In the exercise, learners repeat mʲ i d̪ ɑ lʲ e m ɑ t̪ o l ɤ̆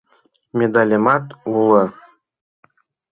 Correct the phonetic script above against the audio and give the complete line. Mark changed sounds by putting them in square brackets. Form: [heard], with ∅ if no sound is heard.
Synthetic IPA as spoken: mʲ [e] d̪ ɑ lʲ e m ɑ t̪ [u] l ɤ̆

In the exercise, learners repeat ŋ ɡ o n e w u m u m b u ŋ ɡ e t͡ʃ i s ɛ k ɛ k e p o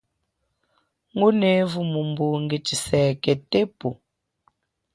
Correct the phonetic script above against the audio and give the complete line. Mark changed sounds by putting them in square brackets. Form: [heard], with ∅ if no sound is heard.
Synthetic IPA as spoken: ŋ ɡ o n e [v] u m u m b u ŋ ɡ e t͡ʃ i s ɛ k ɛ [t] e p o

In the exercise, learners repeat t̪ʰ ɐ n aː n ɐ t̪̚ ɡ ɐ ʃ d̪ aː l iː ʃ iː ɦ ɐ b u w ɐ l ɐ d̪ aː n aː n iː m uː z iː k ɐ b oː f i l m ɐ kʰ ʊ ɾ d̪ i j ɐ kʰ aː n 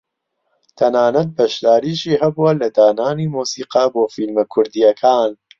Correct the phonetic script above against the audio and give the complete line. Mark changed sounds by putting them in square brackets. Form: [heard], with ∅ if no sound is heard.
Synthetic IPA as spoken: t̪ʰ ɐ n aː n ɐ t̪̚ [b] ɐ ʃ d̪ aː [ɾ] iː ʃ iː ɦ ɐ b u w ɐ l ɐ d̪ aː n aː n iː m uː [s] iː [q] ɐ b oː f i l m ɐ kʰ ʊ ɾ d̪ i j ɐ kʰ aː n

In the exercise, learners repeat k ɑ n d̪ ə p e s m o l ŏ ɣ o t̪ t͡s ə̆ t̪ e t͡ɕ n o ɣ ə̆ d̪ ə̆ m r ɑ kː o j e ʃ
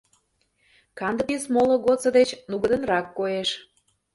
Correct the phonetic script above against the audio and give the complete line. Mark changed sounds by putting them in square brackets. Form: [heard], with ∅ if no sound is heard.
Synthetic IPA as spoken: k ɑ n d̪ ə p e s m o l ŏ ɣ o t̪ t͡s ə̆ [d̪] e t͡ɕ n [u] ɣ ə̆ d̪ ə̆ [n] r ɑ kː o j e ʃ

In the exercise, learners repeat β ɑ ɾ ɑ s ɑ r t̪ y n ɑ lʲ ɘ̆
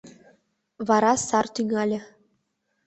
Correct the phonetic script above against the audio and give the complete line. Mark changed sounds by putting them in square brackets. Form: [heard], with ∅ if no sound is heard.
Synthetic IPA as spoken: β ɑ ɾ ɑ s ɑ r t̪ y [ŋ] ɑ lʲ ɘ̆

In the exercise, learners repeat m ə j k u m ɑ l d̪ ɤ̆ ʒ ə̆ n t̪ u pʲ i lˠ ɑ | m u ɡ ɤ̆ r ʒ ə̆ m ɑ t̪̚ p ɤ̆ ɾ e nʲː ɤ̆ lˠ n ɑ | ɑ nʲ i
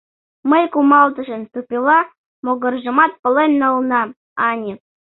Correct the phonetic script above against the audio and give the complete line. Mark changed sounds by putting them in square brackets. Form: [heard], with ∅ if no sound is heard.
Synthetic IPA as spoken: m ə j k u m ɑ l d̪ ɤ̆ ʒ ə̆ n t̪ u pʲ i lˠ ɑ | m [o] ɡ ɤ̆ r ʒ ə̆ m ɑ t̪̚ p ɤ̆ [l] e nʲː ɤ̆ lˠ n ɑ | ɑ nʲ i

